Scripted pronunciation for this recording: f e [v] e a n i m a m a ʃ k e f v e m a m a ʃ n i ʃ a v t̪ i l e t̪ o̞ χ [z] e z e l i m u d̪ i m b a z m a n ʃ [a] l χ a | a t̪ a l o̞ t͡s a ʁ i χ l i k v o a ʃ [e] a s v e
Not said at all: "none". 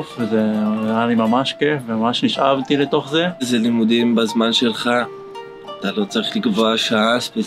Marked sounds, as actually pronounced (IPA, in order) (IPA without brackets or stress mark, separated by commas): z, z, e, a